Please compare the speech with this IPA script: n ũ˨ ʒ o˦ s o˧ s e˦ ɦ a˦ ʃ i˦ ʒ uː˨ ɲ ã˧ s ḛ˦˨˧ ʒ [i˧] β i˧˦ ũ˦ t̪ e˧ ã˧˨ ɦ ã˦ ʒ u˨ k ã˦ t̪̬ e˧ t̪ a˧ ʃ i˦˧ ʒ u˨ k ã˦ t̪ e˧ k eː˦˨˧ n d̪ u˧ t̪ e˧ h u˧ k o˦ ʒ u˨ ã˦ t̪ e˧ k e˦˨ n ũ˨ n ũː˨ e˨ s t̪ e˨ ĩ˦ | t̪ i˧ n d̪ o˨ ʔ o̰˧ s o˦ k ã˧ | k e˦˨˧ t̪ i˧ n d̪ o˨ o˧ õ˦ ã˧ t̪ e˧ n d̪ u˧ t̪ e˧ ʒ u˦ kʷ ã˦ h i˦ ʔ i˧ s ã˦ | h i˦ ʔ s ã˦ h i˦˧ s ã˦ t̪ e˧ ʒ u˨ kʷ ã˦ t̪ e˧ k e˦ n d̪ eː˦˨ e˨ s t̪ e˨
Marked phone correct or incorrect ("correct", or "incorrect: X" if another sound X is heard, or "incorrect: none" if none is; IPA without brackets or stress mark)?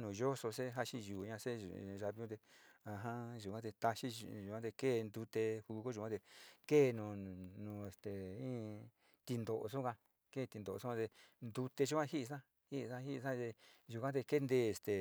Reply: incorrect: a˧